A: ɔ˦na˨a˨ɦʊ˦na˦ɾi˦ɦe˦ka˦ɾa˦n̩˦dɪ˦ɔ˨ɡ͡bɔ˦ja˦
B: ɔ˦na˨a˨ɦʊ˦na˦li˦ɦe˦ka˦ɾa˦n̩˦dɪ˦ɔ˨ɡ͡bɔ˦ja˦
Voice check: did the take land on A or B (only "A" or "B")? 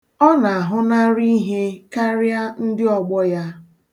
A